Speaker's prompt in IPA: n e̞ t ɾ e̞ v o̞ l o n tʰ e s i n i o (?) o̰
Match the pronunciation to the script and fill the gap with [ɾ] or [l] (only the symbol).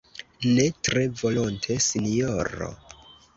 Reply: ɾ